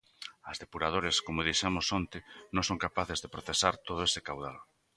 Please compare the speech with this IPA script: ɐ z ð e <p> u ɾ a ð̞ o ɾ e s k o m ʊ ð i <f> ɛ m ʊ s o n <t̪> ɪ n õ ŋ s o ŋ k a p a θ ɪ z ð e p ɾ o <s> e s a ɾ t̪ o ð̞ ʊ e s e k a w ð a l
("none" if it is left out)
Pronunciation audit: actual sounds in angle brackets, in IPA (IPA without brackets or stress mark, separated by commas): p, ʃ, t̪, θ